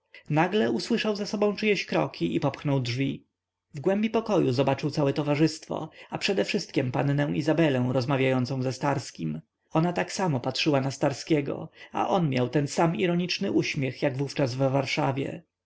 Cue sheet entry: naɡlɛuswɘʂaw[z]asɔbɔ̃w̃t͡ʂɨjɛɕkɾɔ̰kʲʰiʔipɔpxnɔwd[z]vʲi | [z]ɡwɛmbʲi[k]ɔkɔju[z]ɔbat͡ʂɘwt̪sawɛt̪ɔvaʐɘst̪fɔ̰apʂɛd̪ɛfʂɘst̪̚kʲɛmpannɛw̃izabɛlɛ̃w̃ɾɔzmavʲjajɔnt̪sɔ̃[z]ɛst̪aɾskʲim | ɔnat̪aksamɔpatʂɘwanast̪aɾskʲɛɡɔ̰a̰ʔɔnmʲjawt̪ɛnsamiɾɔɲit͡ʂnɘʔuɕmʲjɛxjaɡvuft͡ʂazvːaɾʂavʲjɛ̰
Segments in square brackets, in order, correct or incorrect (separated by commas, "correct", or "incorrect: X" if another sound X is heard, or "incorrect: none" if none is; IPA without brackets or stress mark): correct, incorrect: ʐ, incorrect: v, incorrect: p, correct, correct